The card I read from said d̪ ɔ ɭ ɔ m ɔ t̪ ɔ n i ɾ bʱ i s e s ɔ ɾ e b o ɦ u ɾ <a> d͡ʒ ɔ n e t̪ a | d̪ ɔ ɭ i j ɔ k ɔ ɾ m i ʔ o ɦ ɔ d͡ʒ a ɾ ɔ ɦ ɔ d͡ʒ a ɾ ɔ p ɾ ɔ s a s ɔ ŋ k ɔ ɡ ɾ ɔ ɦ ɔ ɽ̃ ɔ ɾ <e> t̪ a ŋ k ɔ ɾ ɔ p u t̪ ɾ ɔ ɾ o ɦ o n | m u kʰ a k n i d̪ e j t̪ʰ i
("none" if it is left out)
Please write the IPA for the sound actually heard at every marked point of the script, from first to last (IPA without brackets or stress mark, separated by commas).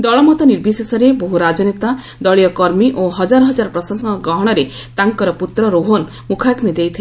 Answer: a, e